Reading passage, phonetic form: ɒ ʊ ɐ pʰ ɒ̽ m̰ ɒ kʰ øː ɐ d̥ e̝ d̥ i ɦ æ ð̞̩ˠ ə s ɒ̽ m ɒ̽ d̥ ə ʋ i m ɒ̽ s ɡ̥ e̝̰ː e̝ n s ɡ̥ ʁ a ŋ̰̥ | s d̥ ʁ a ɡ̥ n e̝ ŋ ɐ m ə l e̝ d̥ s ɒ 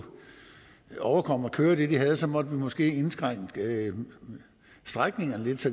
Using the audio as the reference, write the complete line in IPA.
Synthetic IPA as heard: ɒ ʊ ɐ kʰ ɒ̽ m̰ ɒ kʰ øː ɐ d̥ e̝ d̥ i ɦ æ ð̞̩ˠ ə s ɒ̽ m ɒ̽ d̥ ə ʋ i m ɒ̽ s ɡ̥ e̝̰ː e̝ n s ɡ̥ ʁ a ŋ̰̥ | s d̥ ʁ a ɡ̥ n e̝ ŋ ɐ n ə l e̝ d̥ s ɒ